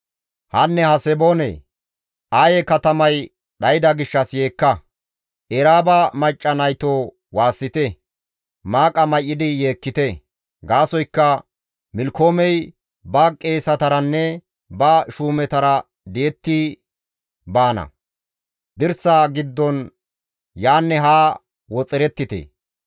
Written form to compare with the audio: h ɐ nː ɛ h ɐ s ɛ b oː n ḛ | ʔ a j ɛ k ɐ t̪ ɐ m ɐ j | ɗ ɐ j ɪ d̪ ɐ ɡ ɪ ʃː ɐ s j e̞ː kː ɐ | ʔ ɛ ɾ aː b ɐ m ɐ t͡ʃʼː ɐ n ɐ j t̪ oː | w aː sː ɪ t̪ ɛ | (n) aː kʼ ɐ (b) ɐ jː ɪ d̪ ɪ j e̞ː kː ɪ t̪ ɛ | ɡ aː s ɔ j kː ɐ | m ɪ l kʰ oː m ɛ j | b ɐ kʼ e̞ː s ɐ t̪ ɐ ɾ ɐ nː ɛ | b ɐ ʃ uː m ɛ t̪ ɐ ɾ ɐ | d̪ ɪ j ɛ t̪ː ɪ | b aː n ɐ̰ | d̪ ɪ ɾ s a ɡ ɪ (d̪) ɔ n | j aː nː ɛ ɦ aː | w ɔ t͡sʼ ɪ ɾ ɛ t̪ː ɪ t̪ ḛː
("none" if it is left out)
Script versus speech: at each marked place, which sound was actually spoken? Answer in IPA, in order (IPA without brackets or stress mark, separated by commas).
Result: m, m, d̪ː